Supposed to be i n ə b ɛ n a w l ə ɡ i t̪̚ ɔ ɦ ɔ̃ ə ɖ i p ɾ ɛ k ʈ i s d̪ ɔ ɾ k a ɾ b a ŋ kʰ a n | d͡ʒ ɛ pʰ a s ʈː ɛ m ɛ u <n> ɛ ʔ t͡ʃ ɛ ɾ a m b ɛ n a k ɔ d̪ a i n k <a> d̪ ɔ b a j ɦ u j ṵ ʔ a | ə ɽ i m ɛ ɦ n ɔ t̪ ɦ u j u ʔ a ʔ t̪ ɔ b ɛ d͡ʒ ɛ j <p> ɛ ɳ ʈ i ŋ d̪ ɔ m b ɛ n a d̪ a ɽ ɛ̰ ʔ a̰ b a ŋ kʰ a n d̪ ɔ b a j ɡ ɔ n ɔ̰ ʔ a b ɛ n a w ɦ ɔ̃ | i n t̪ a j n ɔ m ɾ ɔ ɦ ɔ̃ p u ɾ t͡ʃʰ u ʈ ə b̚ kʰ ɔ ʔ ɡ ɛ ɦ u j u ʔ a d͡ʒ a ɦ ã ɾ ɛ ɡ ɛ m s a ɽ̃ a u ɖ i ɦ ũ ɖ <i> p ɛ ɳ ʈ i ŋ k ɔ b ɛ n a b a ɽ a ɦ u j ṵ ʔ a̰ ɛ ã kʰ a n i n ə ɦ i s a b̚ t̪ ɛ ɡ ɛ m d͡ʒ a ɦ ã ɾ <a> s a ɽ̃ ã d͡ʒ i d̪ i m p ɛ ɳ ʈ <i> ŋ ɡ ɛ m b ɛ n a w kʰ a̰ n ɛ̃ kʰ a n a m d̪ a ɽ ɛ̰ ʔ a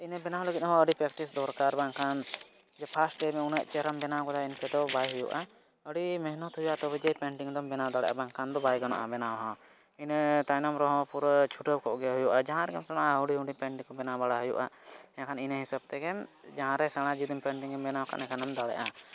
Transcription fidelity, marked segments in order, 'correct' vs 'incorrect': correct, incorrect: ɛ, correct, correct, incorrect: ɛ, correct

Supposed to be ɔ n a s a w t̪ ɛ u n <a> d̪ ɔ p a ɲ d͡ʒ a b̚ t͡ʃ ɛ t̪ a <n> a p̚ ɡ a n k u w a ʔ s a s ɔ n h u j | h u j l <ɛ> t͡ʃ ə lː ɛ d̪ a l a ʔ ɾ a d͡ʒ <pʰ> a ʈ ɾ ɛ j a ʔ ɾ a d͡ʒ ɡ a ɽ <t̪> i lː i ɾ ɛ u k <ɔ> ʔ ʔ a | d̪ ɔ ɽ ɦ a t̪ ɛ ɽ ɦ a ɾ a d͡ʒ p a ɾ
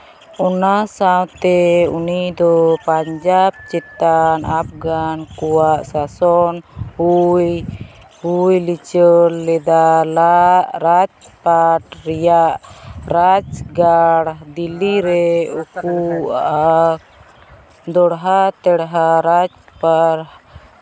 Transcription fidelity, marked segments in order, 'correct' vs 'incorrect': incorrect: i, correct, incorrect: i, incorrect: p, incorrect: d̪, incorrect: u

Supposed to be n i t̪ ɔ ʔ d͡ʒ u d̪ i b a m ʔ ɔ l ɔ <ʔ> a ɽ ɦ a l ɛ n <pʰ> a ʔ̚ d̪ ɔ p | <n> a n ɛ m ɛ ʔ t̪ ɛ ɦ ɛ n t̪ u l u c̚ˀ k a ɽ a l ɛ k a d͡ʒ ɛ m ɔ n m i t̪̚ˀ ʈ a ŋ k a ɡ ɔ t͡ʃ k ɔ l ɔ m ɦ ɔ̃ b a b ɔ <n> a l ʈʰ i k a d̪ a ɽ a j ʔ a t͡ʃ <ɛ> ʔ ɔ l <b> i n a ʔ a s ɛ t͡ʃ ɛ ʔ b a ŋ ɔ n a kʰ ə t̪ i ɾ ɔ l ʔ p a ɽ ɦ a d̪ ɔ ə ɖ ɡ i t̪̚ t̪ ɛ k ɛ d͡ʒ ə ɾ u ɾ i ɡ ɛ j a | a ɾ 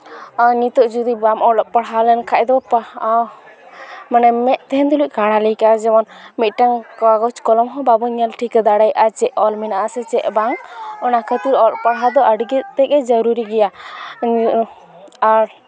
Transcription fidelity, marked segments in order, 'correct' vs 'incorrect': incorrect: p, incorrect: kʰ, incorrect: m, incorrect: ɲ, correct, incorrect: m

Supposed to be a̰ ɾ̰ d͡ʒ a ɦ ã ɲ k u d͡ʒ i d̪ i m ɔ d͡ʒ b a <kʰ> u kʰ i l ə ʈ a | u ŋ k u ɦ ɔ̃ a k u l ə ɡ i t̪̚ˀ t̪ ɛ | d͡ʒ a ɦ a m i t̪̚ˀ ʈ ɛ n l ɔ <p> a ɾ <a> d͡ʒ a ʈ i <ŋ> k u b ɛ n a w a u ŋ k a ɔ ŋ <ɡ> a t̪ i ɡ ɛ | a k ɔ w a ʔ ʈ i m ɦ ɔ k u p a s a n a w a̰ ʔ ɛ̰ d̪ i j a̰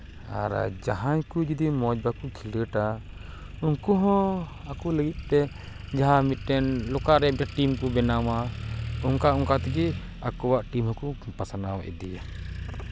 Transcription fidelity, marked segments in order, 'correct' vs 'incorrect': incorrect: k, incorrect: k, incorrect: ɛ, incorrect: m, incorrect: k

